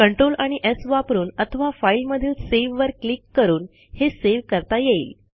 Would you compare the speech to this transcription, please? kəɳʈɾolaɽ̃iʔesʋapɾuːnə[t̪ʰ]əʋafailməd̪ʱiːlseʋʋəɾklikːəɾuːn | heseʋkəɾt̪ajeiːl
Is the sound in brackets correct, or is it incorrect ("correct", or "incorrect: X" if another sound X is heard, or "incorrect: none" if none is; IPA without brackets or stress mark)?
correct